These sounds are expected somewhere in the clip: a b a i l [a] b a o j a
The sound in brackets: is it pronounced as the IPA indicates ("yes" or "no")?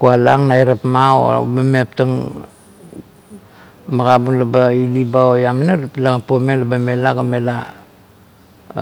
no